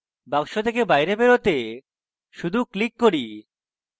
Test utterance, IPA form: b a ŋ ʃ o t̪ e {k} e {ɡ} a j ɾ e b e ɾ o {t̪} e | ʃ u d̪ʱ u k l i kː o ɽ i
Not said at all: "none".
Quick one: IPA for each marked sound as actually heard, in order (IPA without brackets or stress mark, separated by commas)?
k, b, t̪